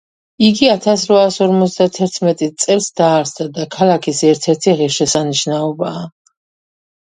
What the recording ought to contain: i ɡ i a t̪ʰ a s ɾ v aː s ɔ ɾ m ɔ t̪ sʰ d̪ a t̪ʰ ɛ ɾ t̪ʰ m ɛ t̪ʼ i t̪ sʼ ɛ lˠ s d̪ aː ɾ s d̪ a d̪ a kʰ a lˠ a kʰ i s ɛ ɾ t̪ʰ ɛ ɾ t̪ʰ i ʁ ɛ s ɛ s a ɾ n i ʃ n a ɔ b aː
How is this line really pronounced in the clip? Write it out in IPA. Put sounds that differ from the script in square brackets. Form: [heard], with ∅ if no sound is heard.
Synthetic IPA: i ɡ i a t̪ʰ a s ɾ v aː s ɔ ɾ m ɔ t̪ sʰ d̪ a t̪ʰ ɛ ɾ t̪ʰ m ɛ t̪ʼ i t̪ sʼ ɛ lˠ s d̪ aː ɾ s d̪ a d̪ a kʰ a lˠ a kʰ i s ɛ ɾ t̪ʰ ɛ ɾ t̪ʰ i ʁ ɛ [ʃ] ɛ s a [∅] n i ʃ n a ɔ b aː